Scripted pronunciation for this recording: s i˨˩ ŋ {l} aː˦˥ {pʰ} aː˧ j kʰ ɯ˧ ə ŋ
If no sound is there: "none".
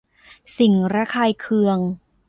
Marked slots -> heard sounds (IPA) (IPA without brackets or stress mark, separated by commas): ɾ, kʰ